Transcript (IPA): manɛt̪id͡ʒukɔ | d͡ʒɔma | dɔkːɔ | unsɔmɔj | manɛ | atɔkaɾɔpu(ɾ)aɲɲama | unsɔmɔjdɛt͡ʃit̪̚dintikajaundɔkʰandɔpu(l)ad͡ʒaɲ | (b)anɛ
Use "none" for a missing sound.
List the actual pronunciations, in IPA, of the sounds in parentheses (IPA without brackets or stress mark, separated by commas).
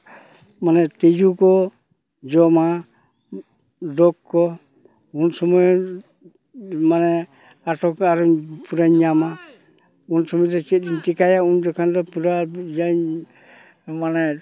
ɾ, ɾ, m